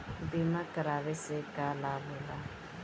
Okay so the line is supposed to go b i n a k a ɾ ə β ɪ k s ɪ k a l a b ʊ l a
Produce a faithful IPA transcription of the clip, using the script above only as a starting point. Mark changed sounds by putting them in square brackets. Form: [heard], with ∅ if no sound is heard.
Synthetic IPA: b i [m] a k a ɾ [a] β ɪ [∅] s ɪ k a l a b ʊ l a

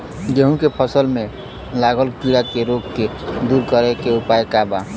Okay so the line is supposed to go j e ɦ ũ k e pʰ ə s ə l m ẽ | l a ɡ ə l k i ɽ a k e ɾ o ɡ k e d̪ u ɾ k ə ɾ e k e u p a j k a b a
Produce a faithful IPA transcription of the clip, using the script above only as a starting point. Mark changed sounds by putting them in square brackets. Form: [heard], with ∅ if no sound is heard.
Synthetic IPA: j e ɦ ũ k e pʰ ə s ə l m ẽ | l a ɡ ə l k i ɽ a k e ɾ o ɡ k e d̪ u ɾ k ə ɾ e k e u p a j k a b a

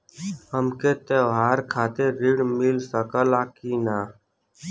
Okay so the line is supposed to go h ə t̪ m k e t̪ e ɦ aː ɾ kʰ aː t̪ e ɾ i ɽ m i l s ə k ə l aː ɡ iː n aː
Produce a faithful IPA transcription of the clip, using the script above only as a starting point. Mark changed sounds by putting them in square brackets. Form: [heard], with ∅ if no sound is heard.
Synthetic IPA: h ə [∅] m k e t̪ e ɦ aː ɾ kʰ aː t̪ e ɾ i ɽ m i l s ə k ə l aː [k] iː n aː

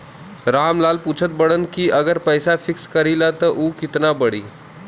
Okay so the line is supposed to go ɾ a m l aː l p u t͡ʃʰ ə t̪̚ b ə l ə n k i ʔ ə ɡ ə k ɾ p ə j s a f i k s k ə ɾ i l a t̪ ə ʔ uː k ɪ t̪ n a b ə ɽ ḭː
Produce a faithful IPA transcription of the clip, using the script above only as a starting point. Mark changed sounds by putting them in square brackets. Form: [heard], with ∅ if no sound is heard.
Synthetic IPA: ɾ a m l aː l p u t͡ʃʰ ə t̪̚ b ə [ɽ] ə n k i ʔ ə ɡ ə [∅] ɾ p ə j s a f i k s k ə ɾ i l a t̪ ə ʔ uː k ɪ t̪ n a b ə ɽ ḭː

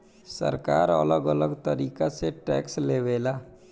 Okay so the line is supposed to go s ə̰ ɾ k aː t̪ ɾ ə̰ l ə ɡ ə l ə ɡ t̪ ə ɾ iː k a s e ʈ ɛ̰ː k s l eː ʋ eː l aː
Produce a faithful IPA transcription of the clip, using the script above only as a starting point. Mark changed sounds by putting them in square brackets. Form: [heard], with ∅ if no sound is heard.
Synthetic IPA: s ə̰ ɾ k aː [∅] ɾ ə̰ l ə ɡ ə l ə ɡ t̪ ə ɾ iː k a s e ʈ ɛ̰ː k s l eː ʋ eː l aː

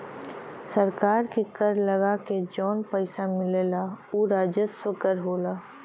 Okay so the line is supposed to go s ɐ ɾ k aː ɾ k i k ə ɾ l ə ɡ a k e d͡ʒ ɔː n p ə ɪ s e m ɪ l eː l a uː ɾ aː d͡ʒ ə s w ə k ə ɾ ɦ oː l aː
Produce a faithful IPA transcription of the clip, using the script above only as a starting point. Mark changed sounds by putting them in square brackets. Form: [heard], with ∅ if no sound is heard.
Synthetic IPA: s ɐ ɾ k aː ɾ k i k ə ɾ l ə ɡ a k e d͡ʒ ɔː n p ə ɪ s [a] m ɪ l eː l a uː ɾ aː d͡ʒ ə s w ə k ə ɾ ɦ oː l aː

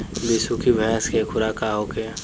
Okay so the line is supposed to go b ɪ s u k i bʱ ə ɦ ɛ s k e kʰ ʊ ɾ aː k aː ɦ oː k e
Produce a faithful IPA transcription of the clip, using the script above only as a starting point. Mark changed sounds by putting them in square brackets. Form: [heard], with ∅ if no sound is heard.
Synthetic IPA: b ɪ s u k i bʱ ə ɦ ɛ s k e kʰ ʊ ɾ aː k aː ɦ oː k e

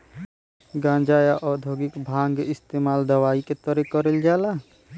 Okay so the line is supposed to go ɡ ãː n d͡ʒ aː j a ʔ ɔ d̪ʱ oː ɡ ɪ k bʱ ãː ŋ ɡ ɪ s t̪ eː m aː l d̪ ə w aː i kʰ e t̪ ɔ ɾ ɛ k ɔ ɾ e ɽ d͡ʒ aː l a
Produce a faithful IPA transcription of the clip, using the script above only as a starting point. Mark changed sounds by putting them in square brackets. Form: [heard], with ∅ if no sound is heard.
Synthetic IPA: ɡ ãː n d͡ʒ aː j a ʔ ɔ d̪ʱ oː ɡ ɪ k bʱ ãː ŋ ɡ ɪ s t̪ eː m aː l d̪ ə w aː i [k] e t̪ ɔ ɾ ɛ k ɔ ɾ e [l] d͡ʒ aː l a

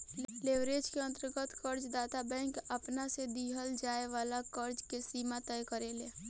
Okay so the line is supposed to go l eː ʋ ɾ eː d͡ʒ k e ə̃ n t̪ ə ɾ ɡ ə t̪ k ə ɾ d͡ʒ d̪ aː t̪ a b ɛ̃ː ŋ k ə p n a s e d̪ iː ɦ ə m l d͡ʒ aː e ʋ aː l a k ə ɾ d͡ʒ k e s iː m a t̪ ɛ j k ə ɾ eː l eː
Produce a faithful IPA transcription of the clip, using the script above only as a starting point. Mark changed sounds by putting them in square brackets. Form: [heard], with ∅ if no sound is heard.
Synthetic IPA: l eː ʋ ɾ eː d͡ʒ k e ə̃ n t̪ ə ɾ ɡ ə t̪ k ə ɾ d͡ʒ d̪ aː t̪ a b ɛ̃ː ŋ k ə p n a s e d̪ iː ɦ ə [∅] l d͡ʒ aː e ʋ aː l a k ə ɾ d͡ʒ k e s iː m a t̪ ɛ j k ə ɾ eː l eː

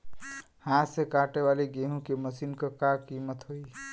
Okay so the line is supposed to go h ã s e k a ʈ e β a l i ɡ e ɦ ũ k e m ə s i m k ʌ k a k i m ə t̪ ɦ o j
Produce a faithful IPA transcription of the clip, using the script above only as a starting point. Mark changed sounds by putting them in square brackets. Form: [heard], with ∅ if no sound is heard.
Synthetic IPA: h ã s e k a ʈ e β a l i ɡ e ɦ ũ k e m ə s i [n] k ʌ k a k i m ə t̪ ɦ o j

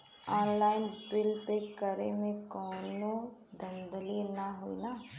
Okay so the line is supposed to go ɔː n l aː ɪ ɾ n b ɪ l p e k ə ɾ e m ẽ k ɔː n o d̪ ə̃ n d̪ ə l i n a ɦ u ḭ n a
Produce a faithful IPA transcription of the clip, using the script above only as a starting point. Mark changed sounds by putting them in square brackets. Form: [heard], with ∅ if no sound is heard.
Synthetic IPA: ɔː n l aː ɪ [∅] n b ɪ l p e k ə ɾ e m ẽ k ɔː n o d̪ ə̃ n d̪ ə l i n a ɦ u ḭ n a

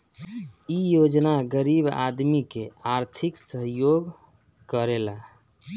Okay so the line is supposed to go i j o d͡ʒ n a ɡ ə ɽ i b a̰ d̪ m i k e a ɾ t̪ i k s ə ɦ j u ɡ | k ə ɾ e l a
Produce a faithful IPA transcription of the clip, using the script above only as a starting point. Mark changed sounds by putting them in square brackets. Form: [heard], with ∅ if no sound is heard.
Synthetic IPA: i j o d͡ʒ n a ɡ ə [ɾ] i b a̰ d̪ m i k e a ɾ [t̪ʰ] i k s ə ɦ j [o] ɡ | k ə ɾ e l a

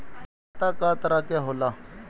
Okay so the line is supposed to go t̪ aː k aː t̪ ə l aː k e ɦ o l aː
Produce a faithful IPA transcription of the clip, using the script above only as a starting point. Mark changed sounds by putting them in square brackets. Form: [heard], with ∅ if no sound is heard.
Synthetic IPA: t̪ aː k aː t̪ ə [ɾ] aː k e ɦ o l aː

